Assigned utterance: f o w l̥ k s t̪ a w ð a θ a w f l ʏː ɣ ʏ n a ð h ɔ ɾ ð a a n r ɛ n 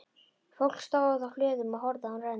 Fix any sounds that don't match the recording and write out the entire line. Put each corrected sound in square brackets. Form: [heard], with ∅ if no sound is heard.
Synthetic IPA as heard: f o w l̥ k s t̪ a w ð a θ a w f l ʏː [ð] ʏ [m] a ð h ɔ ɾ ð a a n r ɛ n